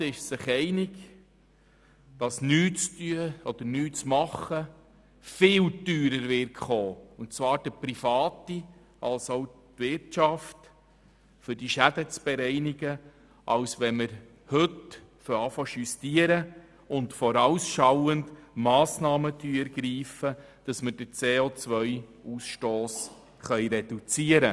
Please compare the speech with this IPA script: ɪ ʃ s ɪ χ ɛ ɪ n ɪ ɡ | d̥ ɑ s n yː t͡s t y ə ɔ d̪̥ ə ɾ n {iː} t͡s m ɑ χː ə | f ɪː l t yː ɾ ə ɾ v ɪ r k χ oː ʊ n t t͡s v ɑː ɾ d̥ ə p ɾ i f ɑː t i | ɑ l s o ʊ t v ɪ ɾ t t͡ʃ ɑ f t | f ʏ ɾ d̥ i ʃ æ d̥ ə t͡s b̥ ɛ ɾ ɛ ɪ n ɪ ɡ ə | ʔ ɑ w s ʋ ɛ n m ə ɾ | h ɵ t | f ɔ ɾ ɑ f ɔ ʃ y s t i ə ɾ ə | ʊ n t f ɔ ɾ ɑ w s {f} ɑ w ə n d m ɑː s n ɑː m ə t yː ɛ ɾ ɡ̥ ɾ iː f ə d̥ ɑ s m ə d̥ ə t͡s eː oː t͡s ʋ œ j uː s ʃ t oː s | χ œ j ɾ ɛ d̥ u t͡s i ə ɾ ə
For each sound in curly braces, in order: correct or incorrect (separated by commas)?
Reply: incorrect, incorrect